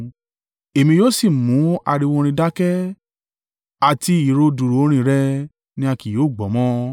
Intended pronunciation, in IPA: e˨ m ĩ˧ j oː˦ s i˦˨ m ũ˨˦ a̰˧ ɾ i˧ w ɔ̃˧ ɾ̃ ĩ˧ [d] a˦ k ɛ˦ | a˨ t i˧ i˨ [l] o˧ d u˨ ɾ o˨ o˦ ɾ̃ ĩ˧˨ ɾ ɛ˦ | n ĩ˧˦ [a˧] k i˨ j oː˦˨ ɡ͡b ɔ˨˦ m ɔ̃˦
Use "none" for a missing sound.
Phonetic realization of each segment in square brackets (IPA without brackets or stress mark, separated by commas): d, ɾ, a˧